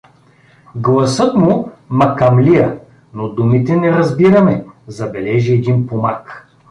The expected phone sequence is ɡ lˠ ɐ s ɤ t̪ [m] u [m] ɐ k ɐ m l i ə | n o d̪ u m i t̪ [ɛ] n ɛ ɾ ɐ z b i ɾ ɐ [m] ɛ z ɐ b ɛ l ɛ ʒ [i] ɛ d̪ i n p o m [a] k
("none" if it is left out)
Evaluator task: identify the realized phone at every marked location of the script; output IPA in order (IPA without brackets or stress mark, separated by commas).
m, m, ɛ, m, i, a